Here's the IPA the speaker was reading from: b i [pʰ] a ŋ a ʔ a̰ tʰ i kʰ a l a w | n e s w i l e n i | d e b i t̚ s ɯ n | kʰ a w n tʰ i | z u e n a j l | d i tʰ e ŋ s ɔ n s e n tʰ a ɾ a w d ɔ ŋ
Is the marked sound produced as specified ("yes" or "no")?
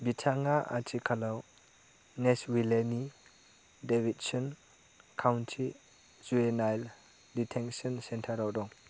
no